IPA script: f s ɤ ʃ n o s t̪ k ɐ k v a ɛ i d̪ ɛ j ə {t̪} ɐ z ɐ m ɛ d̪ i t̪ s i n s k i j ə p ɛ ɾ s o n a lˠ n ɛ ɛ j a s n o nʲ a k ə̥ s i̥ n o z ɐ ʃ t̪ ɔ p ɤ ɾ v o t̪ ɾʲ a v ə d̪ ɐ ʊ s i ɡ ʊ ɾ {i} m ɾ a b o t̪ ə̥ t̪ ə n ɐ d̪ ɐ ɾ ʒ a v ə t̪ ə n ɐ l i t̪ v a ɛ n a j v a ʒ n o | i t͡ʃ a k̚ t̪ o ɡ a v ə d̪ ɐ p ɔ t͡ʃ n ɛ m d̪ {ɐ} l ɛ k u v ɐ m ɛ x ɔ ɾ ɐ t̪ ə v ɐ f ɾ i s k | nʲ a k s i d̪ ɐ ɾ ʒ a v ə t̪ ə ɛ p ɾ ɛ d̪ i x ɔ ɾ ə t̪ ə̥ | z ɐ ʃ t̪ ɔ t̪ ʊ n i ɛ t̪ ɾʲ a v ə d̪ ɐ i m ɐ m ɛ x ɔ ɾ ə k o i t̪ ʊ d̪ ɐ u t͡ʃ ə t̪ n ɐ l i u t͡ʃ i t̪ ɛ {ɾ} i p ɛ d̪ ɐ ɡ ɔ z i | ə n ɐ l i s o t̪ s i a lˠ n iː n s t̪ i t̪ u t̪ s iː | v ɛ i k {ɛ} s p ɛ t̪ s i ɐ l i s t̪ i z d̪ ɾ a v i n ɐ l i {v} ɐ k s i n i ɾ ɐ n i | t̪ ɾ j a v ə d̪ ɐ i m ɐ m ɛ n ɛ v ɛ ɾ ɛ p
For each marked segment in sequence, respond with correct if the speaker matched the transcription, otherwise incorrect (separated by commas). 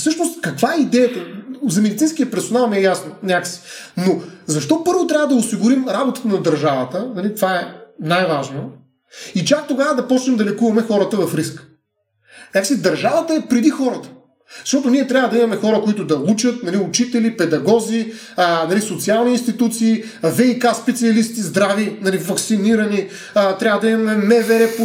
correct, correct, correct, incorrect, incorrect, correct